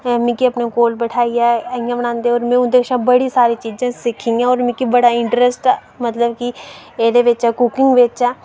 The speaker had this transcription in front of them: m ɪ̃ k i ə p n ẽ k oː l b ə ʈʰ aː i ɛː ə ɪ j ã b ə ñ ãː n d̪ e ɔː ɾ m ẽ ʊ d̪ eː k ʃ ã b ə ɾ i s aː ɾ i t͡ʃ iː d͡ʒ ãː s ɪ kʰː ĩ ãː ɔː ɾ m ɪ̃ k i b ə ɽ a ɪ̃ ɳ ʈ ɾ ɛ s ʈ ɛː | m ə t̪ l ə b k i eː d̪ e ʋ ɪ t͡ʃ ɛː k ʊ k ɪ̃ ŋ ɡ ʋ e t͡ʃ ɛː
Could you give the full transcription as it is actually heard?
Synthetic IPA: m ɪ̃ k i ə p n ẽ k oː l b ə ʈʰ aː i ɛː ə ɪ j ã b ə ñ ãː n d̪ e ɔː ɾ m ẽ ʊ d̪ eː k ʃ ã b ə ɽ i s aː ɾ i t͡ʃ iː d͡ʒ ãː s ɪ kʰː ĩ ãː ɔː ɾ m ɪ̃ k i b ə ɽ a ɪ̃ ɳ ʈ ɾ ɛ s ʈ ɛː | m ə t̪ l ə b k i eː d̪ e ʋ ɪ t͡ʃ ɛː k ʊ k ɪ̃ ŋ ɡ ʋ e t͡ʃ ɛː